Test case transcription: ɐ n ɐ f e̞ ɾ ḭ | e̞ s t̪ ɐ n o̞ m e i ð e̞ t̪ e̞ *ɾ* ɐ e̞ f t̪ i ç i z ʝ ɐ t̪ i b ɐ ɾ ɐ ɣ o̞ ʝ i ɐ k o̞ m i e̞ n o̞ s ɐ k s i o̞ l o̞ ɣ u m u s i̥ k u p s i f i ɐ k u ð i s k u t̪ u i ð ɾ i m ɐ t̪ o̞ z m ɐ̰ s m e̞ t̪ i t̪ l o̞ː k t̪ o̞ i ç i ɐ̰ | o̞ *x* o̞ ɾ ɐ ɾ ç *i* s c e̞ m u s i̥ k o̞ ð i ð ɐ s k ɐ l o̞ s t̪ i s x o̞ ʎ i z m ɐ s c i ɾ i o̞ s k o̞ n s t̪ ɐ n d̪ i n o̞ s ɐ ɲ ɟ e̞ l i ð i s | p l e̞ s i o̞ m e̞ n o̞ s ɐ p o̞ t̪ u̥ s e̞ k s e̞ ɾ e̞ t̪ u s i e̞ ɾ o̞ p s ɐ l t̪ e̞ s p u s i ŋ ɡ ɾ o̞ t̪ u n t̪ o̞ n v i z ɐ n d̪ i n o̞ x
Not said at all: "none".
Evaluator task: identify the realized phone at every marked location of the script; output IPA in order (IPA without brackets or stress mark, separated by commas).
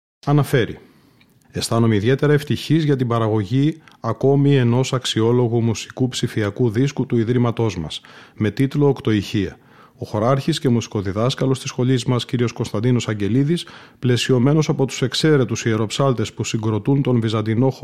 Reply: ɾ, x, i